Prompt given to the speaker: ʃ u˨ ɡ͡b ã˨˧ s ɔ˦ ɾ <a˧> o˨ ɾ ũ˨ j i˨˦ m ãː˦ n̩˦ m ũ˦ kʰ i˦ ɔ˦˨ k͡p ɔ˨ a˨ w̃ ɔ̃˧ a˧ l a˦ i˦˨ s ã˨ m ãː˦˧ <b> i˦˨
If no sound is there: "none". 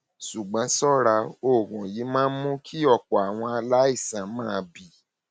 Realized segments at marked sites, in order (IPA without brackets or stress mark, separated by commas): a˧, b